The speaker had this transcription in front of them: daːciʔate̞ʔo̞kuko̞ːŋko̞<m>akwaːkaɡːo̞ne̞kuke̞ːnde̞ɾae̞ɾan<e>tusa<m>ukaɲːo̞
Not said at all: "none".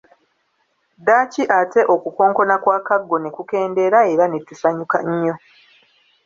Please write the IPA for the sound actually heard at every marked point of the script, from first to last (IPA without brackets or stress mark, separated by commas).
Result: n, e, ɲ